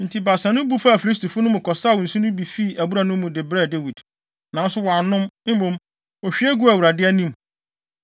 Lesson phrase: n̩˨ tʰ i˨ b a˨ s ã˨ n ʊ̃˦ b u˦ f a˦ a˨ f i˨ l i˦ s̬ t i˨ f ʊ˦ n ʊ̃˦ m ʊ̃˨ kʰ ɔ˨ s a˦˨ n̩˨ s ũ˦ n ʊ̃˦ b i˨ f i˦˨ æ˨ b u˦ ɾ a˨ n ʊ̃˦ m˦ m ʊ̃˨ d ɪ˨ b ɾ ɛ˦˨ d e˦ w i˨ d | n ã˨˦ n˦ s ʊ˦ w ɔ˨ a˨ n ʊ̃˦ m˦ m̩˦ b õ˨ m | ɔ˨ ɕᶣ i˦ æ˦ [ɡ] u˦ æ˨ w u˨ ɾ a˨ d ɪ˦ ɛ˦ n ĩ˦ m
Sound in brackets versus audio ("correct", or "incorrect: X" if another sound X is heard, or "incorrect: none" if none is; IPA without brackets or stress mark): correct